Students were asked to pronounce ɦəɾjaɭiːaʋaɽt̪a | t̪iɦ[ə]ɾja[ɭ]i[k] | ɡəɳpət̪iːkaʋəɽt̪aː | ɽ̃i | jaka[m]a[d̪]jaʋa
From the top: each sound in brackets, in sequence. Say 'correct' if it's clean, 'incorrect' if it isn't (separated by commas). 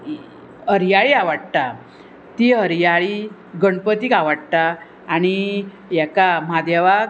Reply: correct, correct, incorrect, correct, correct